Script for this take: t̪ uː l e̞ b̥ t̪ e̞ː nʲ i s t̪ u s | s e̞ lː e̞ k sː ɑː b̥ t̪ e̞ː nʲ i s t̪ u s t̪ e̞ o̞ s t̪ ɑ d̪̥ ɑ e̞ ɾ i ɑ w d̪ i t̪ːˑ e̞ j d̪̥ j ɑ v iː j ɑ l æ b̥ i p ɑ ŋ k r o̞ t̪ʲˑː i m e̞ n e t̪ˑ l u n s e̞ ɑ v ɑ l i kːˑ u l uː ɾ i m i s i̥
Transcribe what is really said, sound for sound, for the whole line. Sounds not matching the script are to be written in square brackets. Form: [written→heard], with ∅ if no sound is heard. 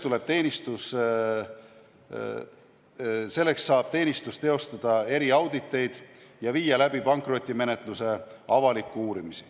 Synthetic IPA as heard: t̪ [uː→u] l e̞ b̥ t̪ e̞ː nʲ i s t̪ u s | s e̞ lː e̞ k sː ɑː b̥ t̪ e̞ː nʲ i s t̪ u s t̪ e̞ o̞ s t̪ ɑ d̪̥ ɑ e̞ ɾ i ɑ w d̪ i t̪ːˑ e̞ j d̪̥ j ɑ v iː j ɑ l æ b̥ i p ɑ ŋ k r o̞ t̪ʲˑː i m e̞ n e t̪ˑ l u [n→∅] s e̞ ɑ v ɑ l i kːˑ u [l→∅] uː ɾ i m i s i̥